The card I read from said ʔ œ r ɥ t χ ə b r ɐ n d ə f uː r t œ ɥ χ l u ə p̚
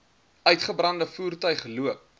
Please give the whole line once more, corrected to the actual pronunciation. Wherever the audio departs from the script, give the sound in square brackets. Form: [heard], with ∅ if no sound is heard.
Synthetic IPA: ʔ œ [∅] ɥ t χ ə b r ɐ n d ə f uː r t œ ɥ χ l u ə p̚